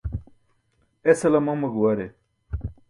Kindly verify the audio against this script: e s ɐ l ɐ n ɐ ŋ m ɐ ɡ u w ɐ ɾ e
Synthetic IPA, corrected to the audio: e s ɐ l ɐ m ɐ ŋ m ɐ ɡ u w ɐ ɾ e